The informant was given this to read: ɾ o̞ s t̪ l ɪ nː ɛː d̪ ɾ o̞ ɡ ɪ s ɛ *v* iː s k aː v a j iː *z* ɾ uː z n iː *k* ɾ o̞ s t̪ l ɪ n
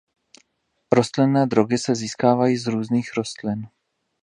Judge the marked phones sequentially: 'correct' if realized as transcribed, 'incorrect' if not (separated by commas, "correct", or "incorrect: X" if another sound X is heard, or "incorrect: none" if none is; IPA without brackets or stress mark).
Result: incorrect: z, correct, incorrect: x